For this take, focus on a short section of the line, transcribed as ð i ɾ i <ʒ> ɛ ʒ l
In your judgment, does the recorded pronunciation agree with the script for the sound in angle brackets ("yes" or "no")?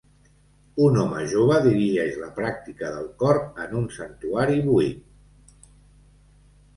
yes